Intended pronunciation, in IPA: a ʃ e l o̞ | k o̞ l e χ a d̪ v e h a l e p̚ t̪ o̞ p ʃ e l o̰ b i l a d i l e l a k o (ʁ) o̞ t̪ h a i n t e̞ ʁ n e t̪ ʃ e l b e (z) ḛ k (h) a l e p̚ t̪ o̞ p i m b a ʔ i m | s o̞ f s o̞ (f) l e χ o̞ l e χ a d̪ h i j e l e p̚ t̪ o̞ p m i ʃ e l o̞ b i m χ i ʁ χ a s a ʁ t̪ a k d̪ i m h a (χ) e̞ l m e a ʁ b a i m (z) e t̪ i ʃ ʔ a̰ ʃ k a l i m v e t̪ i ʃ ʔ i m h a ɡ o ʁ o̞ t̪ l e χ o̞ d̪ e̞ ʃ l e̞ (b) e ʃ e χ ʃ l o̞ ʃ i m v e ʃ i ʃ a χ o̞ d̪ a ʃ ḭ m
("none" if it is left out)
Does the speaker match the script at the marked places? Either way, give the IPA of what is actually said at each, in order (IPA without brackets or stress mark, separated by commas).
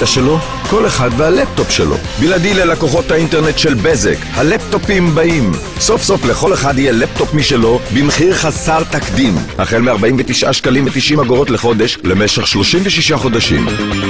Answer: χ, z, h, f, χ, v, m